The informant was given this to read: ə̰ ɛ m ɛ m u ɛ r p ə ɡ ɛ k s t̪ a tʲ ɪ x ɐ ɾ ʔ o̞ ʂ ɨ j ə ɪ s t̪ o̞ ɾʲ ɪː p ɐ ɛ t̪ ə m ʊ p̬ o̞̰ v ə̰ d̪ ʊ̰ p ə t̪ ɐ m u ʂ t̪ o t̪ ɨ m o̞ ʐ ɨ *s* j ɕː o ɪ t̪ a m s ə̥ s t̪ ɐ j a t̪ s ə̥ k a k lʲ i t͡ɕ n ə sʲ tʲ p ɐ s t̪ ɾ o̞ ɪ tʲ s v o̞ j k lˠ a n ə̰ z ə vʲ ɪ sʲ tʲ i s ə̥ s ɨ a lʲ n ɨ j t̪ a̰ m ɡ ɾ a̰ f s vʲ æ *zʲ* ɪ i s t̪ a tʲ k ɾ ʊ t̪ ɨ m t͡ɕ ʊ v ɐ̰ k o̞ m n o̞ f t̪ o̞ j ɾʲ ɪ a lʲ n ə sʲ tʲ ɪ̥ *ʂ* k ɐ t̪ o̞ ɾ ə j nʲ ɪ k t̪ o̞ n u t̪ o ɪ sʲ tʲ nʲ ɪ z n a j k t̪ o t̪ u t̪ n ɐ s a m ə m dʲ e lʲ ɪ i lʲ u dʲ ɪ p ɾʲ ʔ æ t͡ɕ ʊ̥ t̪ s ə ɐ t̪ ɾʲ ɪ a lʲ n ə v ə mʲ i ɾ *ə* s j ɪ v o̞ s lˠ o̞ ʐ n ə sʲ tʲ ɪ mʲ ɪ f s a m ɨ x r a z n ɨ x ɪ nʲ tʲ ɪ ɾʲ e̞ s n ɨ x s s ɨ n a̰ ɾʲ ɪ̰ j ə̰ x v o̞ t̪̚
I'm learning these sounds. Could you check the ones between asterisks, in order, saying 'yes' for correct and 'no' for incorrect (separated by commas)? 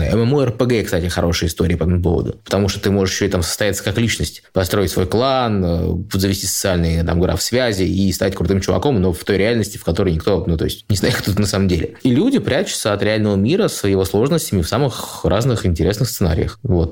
no, yes, no, yes